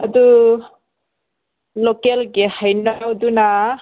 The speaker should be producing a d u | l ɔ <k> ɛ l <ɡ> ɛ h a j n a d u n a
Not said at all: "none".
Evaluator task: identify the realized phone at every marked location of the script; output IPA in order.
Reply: k, ɡ

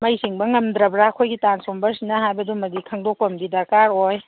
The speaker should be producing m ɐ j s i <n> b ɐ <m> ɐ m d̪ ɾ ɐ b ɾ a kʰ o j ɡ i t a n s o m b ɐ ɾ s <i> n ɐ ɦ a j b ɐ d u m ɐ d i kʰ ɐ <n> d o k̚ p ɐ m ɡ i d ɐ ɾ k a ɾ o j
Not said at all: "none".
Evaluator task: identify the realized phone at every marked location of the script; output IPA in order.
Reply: ŋ, ŋ, i, ŋ

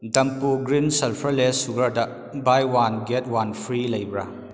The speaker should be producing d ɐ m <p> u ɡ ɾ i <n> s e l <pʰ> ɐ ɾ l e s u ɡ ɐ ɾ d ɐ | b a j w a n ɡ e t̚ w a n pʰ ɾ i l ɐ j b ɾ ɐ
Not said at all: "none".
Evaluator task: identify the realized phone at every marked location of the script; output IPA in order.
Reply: p, n, pʰ

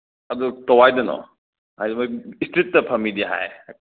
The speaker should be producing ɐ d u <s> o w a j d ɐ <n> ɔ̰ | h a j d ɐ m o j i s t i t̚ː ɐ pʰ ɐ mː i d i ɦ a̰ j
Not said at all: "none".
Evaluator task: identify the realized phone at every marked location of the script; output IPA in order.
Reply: t, n

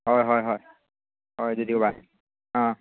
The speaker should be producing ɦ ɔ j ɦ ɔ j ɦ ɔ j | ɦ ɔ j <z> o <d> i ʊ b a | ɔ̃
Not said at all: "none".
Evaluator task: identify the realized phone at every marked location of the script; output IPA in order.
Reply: z, d

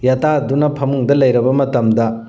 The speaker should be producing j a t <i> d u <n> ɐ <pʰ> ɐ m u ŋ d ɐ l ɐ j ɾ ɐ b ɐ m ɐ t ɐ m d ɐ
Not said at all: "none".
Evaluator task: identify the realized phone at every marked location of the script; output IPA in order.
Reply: a, n, pʰ

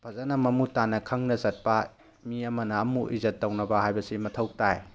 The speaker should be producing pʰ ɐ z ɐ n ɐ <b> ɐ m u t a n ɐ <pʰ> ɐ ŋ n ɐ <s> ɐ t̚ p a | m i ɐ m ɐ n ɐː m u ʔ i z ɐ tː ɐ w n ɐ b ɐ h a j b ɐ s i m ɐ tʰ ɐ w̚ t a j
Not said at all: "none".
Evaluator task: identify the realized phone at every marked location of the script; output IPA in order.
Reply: m, kʰ, z

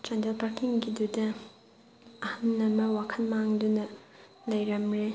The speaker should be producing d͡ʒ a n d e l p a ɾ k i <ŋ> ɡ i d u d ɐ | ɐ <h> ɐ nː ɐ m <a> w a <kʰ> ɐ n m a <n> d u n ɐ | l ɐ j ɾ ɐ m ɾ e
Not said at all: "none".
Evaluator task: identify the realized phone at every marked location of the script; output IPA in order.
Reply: ŋ, h, ɐ, kʰ, ŋ

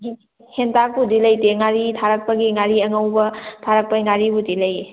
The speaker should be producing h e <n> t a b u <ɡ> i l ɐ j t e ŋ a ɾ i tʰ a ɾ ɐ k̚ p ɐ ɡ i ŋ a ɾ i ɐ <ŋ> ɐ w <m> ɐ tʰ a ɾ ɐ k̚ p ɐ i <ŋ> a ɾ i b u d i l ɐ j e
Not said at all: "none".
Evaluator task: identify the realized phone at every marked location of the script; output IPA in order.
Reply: n, d, ŋ, b, ŋ

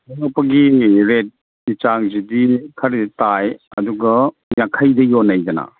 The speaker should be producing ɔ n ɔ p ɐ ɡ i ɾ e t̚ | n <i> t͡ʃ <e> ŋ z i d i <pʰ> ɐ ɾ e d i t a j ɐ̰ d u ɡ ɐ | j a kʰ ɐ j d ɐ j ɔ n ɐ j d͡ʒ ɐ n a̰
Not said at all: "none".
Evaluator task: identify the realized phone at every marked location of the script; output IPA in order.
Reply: i, a, kʰ

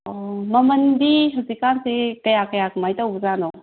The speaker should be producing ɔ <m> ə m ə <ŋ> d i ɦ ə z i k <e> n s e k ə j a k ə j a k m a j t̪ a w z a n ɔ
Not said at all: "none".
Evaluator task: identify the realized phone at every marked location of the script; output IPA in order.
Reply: m, n, a

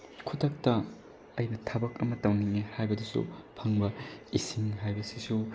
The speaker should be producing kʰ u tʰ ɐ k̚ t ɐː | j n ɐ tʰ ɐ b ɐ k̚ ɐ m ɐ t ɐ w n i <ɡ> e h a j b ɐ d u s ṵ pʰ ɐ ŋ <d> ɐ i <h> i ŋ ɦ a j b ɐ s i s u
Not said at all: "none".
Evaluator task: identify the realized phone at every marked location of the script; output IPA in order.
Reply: ŋ, b, s

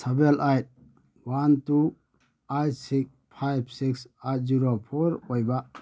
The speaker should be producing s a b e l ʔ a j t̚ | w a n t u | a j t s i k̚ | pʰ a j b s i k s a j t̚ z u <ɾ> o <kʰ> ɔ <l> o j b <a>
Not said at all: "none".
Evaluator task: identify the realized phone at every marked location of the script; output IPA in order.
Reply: ɾ, pʰ, ɾ, a

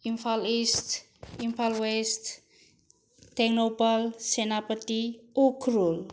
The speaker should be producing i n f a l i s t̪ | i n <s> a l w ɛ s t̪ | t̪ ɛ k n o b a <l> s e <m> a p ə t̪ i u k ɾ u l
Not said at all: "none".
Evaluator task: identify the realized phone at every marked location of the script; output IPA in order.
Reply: f, l, n

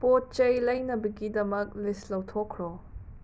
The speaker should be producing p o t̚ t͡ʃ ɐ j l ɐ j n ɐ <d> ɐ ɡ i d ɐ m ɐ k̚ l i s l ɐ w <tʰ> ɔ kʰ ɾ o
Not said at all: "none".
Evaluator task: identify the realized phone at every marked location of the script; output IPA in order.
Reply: b, tʰ

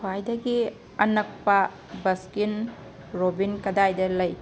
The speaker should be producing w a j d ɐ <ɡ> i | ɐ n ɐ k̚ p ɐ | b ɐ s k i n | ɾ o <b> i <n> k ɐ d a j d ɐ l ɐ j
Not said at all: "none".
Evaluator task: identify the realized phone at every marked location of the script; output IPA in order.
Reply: ɡ, b, n

